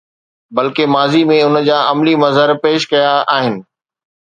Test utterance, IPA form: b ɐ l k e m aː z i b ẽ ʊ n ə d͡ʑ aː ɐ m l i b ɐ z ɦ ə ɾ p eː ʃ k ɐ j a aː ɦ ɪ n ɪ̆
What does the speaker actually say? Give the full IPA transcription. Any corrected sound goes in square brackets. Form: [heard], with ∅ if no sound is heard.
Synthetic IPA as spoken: b ɐ l k e m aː z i [m] ẽ ʊ n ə d͡ʑ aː ɐ m l i [m] ɐ z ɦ ə ɾ p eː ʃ k ɐ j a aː ɦ ɪ n ɪ̆